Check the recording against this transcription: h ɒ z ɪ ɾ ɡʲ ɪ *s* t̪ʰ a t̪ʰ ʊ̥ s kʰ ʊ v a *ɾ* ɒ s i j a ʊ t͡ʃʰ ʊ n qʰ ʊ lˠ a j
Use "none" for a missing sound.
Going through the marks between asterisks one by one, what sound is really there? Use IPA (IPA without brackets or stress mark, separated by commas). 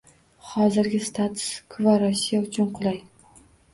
s, ɾ